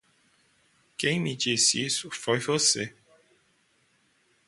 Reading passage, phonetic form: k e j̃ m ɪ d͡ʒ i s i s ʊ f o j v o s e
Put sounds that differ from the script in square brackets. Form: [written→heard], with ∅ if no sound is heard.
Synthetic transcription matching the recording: k [e→ẽ] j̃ m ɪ d͡ʒ i s i s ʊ f o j v o s e